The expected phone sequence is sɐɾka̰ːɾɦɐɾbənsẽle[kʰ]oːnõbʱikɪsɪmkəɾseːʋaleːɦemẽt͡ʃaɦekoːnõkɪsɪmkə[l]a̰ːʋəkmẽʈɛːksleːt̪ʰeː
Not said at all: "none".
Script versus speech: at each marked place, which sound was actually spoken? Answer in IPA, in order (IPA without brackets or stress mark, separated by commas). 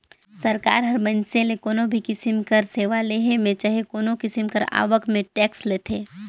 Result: k, ɾ